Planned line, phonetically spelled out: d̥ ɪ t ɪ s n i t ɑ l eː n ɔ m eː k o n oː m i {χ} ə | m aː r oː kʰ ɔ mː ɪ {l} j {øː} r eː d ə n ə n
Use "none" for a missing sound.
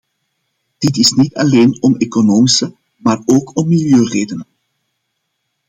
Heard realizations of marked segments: s, l, øː

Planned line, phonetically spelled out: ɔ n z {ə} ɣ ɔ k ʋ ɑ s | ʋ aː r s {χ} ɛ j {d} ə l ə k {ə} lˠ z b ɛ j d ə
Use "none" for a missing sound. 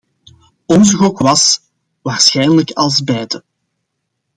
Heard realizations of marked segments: ə, x, n, ɑ

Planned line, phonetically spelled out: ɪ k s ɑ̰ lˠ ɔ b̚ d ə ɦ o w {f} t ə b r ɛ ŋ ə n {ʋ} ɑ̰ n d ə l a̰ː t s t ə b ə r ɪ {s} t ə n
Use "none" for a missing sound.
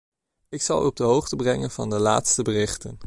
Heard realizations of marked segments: χ, v, χ

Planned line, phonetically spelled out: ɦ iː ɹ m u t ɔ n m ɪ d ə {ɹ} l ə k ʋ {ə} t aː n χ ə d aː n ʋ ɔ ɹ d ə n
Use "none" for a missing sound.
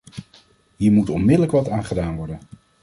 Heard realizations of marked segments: none, ɑ

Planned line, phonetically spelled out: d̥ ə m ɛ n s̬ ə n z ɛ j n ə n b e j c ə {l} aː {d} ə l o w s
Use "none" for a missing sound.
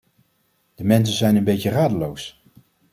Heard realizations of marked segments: r, d

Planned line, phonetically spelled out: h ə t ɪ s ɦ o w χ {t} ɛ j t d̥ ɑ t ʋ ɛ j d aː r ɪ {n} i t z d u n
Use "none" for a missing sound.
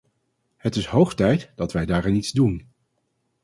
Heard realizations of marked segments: t, n

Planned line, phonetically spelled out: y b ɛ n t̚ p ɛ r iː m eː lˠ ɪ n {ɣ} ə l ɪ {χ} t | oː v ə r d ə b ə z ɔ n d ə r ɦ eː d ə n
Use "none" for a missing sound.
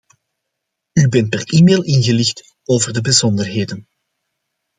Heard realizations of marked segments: ɣ, x

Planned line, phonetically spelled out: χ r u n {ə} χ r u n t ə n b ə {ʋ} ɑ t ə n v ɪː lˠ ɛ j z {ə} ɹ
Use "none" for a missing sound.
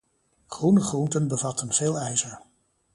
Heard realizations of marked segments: ə, v, ə

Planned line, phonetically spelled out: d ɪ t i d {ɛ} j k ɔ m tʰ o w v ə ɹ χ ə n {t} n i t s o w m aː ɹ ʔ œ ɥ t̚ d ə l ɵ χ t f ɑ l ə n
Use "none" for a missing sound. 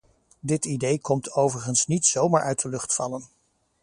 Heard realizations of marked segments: e, s

